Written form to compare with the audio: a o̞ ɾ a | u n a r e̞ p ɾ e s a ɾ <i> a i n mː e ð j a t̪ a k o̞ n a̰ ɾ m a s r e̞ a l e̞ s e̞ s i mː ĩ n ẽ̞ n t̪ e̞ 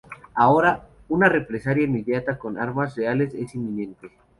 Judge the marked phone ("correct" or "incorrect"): incorrect